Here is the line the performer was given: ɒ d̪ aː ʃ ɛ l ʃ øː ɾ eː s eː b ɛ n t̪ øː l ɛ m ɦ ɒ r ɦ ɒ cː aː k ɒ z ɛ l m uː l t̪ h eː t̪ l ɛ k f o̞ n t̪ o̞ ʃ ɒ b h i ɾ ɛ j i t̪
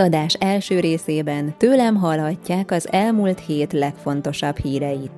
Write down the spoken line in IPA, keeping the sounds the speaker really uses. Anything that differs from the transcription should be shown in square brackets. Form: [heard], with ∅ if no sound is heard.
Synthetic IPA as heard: ɒ d̪ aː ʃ ɛ l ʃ øː ɾ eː s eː b ɛ n t̪ øː l ɛ m ɦ ɒ [l] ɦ ɒ cː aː k ɒ z ɛ l m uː l t̪ h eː t̪ l ɛ k f o̞ n t̪ o̞ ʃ ɒ b h [iː] ɾ ɛ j i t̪